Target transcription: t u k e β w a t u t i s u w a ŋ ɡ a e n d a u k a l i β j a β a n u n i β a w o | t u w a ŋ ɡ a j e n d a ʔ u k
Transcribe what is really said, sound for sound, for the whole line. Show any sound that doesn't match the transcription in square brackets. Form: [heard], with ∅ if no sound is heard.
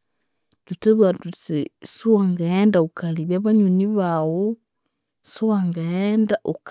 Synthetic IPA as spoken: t u [t] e β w a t u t i s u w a ŋ ɡ a e n d a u k a l i β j a β a [ɲ] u n i β a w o | [s] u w a ŋ ɡ a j e n d a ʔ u k